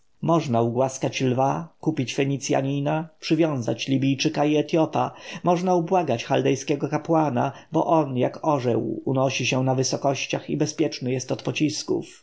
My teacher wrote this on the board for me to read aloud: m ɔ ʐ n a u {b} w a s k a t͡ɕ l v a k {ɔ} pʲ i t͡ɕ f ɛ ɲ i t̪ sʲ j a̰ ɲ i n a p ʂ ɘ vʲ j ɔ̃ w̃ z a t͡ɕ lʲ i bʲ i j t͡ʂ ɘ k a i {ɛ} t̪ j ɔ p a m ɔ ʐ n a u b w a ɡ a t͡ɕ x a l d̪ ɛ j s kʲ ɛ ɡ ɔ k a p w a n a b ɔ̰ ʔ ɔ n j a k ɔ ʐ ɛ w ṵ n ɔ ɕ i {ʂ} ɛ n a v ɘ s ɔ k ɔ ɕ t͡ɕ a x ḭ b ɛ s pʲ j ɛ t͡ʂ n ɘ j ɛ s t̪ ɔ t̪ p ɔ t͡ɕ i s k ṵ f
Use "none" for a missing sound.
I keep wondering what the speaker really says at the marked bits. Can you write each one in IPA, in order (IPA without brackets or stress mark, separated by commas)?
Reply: ɡ, u, ɛ, ɕ